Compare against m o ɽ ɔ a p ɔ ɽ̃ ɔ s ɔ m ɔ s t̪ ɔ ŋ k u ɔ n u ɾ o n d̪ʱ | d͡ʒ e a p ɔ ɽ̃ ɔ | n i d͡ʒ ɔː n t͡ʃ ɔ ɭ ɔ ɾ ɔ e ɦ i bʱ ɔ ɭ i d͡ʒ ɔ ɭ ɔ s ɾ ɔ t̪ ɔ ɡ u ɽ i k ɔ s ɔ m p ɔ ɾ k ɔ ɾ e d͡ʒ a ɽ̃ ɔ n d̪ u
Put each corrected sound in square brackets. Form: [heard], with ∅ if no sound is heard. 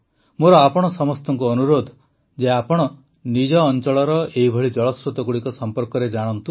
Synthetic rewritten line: m o [ɾ] ɔ a p ɔ ɽ̃ ɔ s ɔ m ɔ s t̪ ɔ ŋ k u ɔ n u ɾ o [∅] d̪ʱ | d͡ʒ e a p ɔ ɽ̃ ɔ | n i d͡ʒ ɔː n t͡ʃ ɔ ɭ ɔ ɾ ɔ e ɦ i bʱ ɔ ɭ i d͡ʒ ɔ ɭ ɔ s ɾ [u] t̪ ɔ ɡ u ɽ i k ɔ s ɔ m p ɔ ɾ k ɔ ɾ e d͡ʒ a ɽ̃ ɔ n [t̪] u